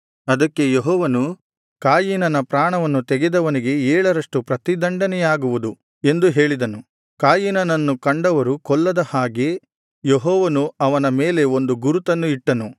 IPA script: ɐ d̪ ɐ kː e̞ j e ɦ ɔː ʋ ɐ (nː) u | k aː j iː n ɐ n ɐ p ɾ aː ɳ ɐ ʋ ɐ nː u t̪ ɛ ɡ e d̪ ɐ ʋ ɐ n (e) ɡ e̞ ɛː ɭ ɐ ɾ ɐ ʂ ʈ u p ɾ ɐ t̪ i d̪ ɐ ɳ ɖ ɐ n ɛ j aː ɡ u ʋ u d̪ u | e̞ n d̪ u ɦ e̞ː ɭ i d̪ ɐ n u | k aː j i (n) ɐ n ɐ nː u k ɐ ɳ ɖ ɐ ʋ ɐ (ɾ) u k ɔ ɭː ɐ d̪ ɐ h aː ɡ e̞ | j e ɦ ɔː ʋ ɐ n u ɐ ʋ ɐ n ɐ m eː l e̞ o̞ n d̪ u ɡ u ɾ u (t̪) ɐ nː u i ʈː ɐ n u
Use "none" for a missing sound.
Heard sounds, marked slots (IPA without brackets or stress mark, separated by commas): n, i, n, ɾ, t̪